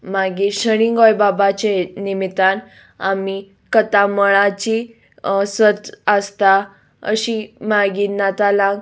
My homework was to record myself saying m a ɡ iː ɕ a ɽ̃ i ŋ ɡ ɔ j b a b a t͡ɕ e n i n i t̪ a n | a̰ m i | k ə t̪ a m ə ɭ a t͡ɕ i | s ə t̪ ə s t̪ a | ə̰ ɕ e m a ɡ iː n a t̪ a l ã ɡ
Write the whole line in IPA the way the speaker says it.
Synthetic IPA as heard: m a ɡ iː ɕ ə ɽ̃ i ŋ ɡ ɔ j b a b a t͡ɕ e n i m i t̪ a n | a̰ m i | k ə t̪ a m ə ɭ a t͡ɕ i | s ə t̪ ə s t̪ a | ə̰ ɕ i m a ɡ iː n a t̪ a l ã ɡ

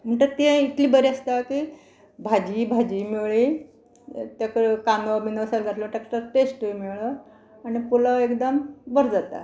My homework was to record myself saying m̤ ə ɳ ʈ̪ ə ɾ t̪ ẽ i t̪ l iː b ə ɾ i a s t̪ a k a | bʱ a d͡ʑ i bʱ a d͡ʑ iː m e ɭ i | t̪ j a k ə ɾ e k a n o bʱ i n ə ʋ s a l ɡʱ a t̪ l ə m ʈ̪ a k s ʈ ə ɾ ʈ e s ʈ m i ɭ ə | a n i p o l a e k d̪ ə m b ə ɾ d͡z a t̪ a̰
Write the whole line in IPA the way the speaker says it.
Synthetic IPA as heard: m̤ ə ɳ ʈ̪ ə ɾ t̪ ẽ i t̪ l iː b ə ɾ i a s t̪ a k i | bʱ a d͡ʑ i bʱ a d͡ʑ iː m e ɭ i | t̪ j a k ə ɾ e k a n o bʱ i n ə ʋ s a l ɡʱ a t̪ l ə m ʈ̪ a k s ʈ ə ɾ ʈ e s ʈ m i ɭ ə | a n i p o l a e k d̪ ə m b ə ɾ d͡z a t̪ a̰

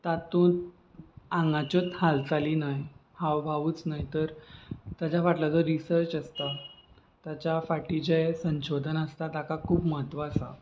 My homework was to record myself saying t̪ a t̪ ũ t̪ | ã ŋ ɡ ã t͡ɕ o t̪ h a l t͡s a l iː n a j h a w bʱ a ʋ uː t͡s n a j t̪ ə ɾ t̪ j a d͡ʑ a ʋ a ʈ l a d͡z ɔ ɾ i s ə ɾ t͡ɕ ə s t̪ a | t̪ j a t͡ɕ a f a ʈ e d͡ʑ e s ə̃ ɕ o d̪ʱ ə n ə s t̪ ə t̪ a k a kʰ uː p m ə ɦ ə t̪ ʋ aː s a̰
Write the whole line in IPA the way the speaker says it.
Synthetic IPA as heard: t̪ a t̪ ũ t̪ | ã ŋ ɡ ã t͡ɕ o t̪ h a l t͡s a l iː n a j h a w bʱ a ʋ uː t͡s n a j t̪ ə ɾ t̪ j a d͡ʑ a ʋ a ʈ l a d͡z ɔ ɾ i s ə ɾ t͡ɕ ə s t̪ a | t̪ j a t͡ɕ a f a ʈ i d͡ʑ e s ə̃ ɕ o d̪ʱ ə n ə s t̪ a t̪ a k a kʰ uː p m ə ɦ ə t̪ ʋ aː s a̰

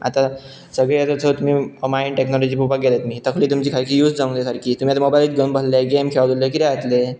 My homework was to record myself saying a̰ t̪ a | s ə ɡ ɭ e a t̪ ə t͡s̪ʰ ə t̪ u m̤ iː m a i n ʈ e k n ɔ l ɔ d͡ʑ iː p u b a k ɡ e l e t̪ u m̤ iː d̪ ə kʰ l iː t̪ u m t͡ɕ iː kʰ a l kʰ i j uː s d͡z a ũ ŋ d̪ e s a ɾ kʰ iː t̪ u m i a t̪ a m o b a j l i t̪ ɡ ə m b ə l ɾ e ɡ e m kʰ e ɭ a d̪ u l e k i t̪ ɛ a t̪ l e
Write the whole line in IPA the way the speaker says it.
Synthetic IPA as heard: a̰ t̪ a | s ə ɡ ɭ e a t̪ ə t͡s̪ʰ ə t̪ u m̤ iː m a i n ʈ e k n ɔ l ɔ d͡ʑ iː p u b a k ɡ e l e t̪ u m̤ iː t̪ ə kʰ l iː t̪ u m t͡ɕ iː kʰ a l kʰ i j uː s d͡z a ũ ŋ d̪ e s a ɾ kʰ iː t̪ u m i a t̪ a m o b a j l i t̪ ɡ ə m b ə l l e ɡ e m kʰ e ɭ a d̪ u l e k i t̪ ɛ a t̪ l e

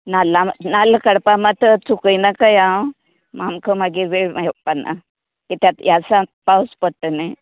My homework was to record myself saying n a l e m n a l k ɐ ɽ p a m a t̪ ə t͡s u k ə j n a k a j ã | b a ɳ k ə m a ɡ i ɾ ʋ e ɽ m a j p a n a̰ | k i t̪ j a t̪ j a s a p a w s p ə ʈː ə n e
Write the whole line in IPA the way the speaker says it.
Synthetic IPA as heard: n a l a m n a l k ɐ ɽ p a m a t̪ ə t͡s u k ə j n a k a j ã | m a m k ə m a ɡ i ɾ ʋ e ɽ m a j p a n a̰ | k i t̪ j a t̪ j a s a p a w s p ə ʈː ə n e

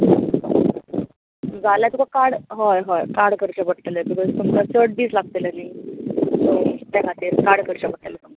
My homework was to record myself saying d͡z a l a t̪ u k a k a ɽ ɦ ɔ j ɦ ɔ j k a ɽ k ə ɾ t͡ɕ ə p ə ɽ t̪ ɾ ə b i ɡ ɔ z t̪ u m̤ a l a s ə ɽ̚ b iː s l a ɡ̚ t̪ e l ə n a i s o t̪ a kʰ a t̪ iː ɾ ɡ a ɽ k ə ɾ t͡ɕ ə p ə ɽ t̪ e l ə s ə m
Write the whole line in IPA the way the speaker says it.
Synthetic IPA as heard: d͡z a l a t̪ u k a k a ɽ ɦ ɔ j ɦ ɔ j k a ɽ k ə ɾ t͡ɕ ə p ə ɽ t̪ l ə b i k ɔ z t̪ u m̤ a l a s ə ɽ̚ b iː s l a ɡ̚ t̪ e l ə n a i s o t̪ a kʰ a t̪ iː ɾ k a ɽ k ə ɾ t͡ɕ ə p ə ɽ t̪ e l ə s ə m

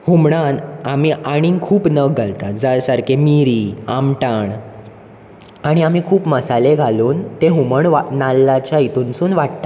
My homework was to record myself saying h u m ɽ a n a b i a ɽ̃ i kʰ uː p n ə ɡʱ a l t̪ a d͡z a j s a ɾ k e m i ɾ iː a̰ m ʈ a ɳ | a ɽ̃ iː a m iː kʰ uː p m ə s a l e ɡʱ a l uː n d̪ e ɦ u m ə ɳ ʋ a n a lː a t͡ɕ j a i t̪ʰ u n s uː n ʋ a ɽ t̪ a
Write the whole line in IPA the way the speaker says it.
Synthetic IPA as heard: h u m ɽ a n a m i a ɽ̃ i kʰ uː p n ə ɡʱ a l t̪ a d͡z a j s a ɾ k e m i ɾ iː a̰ m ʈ a ɳ | a ɽ̃ i a m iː kʰ uː p m ə s a l e ɡʱ a l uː n t̪ e ɦ u m ə ɳ ʋ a n a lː a t͡ɕ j a i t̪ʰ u n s uː n ʋ a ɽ t̪ a

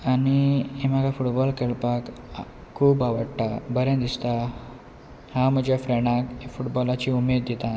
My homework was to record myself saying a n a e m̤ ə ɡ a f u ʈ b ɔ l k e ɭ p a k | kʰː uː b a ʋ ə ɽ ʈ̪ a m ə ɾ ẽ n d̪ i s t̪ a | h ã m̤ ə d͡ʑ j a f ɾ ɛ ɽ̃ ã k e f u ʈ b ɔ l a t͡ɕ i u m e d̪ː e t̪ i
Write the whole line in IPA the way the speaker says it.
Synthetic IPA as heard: a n i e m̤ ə ɡ a f u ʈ b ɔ l k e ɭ p a k | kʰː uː b a ʋ ə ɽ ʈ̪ a b ə ɾ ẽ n d̪ i s t̪ a | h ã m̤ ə d͡ʑ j a f ɾ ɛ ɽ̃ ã k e f u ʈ b ɔ l a t͡ɕ i u m e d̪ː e t̪ a

